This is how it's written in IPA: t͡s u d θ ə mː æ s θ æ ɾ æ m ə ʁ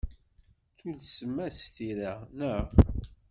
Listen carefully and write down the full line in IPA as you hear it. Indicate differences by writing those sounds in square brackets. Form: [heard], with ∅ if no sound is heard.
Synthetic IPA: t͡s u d [s] ə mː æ s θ [i] ɾ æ [n] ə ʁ